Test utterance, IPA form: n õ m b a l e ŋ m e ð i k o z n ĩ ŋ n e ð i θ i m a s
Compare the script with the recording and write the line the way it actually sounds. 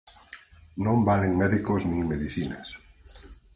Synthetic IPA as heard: n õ m b a l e ŋ m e ð i k o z n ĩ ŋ m e ð i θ i n a s